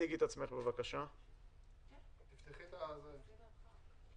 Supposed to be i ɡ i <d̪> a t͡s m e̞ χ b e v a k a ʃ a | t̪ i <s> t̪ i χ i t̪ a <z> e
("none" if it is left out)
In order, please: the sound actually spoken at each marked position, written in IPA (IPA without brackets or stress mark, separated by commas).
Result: t̪, f, z